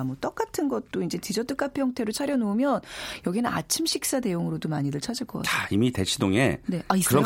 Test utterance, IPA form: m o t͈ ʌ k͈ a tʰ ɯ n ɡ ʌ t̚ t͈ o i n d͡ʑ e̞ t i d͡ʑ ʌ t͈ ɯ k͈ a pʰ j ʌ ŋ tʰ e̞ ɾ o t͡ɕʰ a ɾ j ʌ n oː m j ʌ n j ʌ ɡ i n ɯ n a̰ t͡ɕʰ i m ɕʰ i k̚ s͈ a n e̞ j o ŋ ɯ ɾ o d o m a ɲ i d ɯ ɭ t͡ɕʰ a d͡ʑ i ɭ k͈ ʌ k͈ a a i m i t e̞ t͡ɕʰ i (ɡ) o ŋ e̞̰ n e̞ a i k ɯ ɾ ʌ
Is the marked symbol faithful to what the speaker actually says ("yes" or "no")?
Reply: no